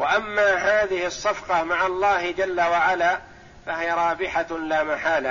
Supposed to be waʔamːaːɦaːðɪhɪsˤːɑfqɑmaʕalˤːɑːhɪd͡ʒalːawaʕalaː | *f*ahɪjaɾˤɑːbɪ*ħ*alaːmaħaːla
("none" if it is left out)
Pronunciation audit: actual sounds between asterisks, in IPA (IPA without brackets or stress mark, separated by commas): f, ħ